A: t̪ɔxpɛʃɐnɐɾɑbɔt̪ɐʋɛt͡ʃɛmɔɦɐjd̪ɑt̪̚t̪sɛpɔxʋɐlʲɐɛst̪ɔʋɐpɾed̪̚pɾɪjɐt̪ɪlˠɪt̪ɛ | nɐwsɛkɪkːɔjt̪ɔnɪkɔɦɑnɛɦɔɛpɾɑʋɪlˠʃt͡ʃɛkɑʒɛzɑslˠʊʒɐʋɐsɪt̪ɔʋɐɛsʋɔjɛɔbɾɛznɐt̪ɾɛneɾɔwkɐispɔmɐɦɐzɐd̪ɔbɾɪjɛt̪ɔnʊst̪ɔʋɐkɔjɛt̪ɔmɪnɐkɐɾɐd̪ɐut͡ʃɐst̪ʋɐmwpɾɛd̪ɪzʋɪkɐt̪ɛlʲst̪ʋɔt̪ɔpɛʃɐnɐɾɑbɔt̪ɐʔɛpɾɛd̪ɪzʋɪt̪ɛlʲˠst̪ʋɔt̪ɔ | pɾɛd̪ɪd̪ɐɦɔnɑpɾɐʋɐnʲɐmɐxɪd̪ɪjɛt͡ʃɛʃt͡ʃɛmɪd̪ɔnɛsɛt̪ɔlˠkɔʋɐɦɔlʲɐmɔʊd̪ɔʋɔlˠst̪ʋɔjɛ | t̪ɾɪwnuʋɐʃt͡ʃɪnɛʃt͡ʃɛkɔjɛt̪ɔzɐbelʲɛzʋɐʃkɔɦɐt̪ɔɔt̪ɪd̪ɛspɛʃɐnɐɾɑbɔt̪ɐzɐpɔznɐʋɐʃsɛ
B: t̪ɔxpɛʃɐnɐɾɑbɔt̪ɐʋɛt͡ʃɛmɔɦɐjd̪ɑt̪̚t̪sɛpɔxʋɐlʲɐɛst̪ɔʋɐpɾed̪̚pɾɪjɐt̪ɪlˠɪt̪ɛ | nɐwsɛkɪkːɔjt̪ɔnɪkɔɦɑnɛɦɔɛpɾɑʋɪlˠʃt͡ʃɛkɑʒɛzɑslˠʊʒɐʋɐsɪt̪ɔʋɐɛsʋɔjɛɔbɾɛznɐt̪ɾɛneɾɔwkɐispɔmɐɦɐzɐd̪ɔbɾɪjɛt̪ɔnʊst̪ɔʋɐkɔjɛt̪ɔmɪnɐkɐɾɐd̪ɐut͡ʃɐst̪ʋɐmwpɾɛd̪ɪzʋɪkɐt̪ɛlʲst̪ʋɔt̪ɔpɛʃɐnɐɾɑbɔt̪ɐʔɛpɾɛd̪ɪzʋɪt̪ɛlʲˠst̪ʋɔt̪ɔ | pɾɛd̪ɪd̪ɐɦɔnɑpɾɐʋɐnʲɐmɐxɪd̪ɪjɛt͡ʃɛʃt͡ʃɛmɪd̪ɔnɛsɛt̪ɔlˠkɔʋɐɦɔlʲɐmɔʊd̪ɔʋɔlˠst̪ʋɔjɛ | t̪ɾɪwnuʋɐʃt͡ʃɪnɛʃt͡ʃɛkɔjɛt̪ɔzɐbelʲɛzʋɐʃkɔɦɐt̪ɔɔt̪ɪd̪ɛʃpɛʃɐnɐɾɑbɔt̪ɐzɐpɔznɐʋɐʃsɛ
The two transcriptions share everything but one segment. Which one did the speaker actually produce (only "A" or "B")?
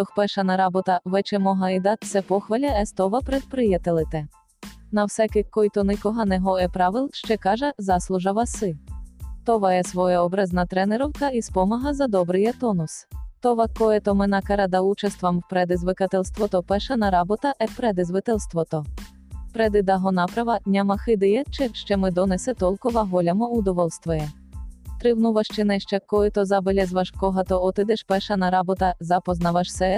B